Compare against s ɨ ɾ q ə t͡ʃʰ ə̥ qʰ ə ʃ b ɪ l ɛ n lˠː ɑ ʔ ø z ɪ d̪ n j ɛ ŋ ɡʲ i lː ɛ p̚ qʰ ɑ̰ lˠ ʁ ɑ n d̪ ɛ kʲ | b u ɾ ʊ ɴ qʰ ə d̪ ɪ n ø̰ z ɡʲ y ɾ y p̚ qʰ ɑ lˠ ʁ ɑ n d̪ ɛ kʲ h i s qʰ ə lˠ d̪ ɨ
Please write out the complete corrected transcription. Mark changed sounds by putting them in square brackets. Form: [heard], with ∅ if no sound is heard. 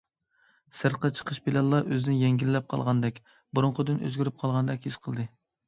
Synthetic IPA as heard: s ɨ ɾ q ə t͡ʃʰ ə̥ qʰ ə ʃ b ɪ l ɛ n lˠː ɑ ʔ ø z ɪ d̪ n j ɛ ŋ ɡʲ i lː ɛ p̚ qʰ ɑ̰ lˠ ʁ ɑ n d̪ ɛ kʲ | b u ɾ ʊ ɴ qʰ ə d̪ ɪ n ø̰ z ɡʲ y ɾ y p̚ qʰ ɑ lˠ ʁ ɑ n d̪ ɛ kʲ h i s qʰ ə lˠ d̪ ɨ